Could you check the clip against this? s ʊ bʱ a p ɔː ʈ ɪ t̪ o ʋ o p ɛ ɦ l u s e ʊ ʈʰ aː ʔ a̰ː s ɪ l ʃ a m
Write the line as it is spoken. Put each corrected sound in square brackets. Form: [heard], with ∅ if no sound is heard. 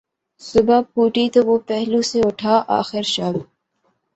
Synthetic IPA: s ʊ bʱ a p [uː] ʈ [i] t̪ o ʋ o p ɛ ɦ l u s e ʊ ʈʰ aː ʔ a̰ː [x] ɪ [ɾ] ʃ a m